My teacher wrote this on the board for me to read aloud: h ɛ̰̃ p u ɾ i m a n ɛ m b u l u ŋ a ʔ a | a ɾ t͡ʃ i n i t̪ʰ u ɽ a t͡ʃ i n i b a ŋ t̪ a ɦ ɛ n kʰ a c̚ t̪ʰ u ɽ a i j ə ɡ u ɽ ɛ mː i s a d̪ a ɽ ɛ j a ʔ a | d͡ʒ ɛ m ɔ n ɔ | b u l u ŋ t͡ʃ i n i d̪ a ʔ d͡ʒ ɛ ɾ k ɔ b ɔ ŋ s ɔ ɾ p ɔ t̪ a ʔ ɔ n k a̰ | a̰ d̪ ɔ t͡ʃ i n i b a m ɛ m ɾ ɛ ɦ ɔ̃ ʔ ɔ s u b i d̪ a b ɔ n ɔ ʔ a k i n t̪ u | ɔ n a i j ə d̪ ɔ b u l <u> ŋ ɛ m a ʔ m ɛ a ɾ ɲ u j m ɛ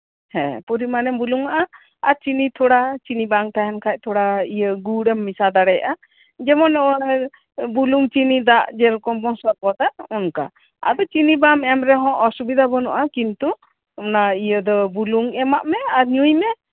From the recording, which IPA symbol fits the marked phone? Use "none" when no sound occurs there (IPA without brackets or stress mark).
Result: u